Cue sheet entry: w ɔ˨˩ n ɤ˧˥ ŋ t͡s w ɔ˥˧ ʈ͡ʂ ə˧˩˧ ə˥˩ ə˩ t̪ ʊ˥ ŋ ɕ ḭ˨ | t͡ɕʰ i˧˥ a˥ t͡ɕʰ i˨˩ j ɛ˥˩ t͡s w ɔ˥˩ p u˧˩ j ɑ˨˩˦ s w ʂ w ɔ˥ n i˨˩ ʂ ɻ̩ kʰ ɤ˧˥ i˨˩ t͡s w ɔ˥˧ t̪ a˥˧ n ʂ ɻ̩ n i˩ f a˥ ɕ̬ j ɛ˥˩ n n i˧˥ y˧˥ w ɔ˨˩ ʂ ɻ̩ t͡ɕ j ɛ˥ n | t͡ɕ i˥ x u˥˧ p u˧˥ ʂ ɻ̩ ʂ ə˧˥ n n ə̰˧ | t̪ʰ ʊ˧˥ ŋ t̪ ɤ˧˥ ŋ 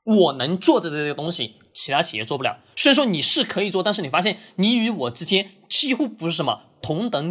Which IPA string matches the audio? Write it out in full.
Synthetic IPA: w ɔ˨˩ n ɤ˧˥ ŋ t͡s w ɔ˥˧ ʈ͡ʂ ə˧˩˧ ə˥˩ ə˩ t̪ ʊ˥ ŋ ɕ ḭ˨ | t͡ɕʰ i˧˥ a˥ t͡ɕʰ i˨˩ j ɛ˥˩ t͡s w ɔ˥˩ p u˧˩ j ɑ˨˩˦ s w ʂ w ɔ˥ n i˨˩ ʂ ɻ̩ kʰ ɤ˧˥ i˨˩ t͡s w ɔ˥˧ t̪ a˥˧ n ʂ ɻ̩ n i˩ f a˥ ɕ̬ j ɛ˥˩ n n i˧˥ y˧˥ w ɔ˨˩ ʈ͡ʂ ɻ̩ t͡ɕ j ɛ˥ n | t͡ɕ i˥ x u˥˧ p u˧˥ ʂ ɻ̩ ʂ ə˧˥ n m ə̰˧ | t̪ʰ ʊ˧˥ ŋ t̪ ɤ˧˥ ŋ